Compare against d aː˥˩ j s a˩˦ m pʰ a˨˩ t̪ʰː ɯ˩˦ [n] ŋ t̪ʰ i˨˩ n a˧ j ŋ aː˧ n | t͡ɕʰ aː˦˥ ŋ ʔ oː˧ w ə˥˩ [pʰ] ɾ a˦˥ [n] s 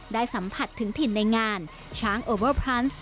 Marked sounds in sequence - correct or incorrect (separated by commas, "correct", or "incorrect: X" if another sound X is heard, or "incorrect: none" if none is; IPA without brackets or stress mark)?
incorrect: none, correct, correct